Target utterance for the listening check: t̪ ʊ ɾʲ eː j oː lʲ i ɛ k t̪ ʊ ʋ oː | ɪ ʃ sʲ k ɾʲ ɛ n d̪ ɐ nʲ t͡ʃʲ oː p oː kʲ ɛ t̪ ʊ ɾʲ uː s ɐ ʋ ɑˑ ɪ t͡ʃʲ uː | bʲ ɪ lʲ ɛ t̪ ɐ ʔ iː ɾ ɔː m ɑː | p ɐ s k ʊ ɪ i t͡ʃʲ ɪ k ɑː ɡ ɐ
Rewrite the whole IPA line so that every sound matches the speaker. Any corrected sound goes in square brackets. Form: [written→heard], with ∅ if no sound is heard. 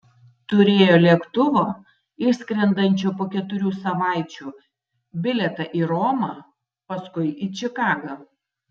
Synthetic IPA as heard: t̪ ʊ ɾʲ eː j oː lʲ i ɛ k t̪ ʊ ʋ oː | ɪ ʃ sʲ k ɾʲ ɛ n d̪ ɐ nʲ t͡ʃʲ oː p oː kʲ ɛ t̪ ʊ ɾʲ uː s ɐ ʋ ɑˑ ɪ t͡ʃʲ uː | bʲ ɪ lʲ ɛ t̪ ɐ ʔ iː ɾ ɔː m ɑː | p ɐ s k ʊ ɪ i t͡ʃʲ ɪ k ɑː ɡ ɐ